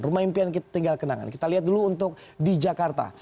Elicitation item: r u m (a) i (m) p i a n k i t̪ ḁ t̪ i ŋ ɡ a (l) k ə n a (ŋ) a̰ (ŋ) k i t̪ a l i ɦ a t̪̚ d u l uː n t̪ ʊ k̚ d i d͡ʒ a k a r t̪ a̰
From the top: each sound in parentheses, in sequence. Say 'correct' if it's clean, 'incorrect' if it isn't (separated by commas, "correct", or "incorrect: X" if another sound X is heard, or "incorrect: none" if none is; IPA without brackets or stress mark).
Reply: correct, correct, correct, correct, incorrect: n